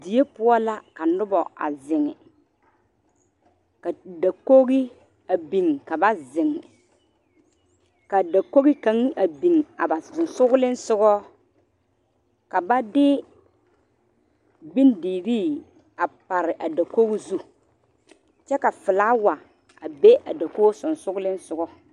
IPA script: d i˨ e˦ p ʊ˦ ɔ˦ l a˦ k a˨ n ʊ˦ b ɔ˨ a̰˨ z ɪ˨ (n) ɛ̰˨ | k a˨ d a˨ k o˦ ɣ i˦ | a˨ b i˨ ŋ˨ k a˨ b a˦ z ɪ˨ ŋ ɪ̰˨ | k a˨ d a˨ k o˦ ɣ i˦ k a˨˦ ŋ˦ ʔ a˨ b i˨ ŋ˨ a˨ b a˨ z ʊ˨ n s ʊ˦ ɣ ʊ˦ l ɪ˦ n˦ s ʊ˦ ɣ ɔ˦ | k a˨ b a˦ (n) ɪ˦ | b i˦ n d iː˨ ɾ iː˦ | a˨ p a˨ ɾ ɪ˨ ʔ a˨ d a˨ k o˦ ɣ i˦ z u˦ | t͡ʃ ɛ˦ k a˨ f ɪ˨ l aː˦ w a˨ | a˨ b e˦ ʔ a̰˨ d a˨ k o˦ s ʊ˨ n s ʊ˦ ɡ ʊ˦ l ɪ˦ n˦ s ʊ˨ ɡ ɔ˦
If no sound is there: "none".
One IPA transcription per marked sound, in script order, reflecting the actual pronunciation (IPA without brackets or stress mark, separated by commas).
ŋ, d